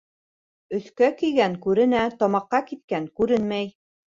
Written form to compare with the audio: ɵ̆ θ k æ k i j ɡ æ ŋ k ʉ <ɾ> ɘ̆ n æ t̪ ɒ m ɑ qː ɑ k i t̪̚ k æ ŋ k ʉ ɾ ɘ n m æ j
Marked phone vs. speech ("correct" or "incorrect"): correct